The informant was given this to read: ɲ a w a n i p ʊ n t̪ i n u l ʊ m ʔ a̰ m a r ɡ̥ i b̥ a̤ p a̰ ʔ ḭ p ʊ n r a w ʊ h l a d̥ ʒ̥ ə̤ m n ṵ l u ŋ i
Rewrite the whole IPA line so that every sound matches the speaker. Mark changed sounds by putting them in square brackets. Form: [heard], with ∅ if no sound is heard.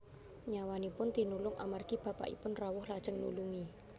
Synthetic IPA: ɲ a w a n i p ʊ n t̪ i n u l ʊ [ŋ] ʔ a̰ m a r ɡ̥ i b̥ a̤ p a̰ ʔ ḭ p ʊ n r a w ʊ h l a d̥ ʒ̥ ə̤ [ŋ] n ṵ l u ŋ i